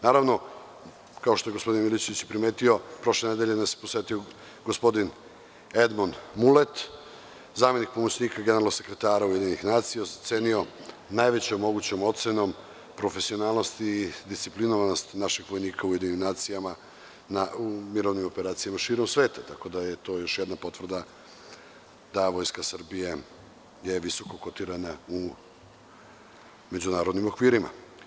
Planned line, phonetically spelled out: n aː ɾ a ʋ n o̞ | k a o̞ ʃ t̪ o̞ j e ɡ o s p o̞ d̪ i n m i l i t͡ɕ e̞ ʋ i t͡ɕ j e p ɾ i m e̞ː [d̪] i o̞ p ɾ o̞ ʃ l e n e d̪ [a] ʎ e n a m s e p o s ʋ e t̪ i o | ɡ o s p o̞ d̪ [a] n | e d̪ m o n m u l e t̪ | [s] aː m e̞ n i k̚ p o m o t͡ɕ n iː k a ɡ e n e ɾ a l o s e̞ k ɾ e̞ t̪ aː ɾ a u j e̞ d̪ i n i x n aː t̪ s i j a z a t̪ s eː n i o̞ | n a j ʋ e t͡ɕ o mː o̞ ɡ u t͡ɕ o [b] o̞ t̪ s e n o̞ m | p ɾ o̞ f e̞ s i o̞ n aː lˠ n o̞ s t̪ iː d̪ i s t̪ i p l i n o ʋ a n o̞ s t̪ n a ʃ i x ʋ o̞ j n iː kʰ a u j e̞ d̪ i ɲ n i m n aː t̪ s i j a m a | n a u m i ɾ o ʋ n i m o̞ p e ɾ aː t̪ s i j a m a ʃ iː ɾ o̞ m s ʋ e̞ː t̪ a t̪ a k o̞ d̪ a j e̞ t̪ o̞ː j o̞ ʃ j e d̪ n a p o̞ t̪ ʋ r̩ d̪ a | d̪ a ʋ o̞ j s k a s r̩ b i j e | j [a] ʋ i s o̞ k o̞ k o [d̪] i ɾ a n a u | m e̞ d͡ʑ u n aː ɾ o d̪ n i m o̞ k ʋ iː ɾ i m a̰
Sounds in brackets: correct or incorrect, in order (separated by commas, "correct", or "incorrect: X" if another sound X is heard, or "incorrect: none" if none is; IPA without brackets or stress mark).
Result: incorrect: t̪, incorrect: e, incorrect: i, incorrect: z, incorrect: m, incorrect: e, incorrect: t̪